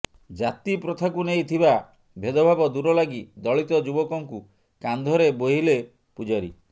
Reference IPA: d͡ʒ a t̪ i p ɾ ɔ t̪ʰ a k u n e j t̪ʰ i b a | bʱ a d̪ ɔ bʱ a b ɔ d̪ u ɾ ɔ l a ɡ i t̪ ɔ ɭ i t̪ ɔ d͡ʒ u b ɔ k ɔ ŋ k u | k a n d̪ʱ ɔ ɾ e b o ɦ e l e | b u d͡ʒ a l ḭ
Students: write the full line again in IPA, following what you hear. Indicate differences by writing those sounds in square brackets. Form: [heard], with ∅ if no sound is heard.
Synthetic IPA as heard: d͡ʒ a t̪ i p ɾ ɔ t̪ʰ a k u n e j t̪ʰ i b a | bʱ [e] d̪ ɔ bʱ a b ɔ d̪ u ɾ ɔ l a ɡ i [d̪] ɔ ɭ i t̪ ɔ d͡ʒ u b ɔ k ɔ ŋ k u | k a n d̪ʱ ɔ ɾ e b o ɦ [i] l e | [p] u d͡ʒ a [ɾ] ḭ